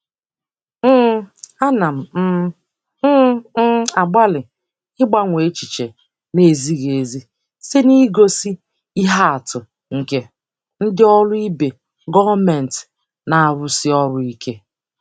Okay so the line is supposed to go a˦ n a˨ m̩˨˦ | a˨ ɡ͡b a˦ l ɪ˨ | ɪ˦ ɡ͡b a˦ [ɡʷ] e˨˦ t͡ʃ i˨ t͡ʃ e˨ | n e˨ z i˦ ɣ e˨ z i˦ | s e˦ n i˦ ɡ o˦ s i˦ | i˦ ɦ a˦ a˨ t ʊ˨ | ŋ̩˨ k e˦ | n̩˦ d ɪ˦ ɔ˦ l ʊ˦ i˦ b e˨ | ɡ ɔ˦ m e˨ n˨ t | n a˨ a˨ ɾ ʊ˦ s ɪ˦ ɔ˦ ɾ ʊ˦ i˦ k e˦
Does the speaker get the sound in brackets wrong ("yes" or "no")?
yes